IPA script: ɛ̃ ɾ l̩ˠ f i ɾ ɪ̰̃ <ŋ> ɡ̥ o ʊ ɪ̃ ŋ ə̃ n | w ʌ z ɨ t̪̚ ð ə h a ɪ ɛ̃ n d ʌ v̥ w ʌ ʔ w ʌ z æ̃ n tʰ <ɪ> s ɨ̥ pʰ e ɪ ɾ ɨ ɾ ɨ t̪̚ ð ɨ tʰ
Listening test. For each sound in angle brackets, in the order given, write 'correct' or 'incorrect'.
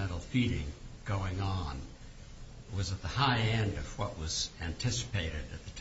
correct, correct

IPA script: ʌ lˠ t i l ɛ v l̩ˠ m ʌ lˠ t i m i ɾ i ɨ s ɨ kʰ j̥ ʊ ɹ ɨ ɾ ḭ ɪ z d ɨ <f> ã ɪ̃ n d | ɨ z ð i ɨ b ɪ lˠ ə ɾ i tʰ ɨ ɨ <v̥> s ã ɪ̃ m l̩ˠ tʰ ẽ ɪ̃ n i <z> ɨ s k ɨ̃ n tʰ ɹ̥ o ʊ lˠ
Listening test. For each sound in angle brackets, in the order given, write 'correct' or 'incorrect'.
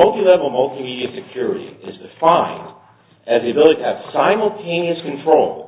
correct, correct, incorrect

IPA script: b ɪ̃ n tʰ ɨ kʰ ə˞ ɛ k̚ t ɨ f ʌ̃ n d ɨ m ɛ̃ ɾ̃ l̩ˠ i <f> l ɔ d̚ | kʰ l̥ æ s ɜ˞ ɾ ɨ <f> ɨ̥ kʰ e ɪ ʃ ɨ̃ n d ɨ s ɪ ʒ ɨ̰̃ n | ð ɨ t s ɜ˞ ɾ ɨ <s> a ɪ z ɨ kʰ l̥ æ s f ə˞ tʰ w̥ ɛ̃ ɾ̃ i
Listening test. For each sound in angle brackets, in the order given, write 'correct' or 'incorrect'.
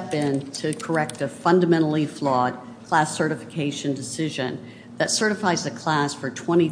correct, correct, incorrect

